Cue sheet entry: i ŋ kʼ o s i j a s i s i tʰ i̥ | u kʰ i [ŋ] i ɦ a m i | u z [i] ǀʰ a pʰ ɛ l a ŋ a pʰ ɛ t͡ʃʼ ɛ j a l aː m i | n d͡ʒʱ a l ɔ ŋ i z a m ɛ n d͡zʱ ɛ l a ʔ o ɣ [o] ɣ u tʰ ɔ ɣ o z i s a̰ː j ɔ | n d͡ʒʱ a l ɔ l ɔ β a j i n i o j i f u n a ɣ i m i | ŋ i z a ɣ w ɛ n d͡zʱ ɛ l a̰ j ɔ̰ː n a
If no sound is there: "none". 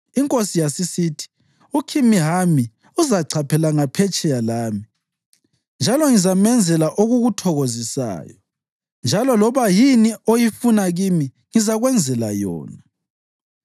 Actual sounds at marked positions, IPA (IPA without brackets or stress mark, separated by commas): m, a, u